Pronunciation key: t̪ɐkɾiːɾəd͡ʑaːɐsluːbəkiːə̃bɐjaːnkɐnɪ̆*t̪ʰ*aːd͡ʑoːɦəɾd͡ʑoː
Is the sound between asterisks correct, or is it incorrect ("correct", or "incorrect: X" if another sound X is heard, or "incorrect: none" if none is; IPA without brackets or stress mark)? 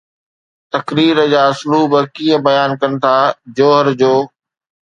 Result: correct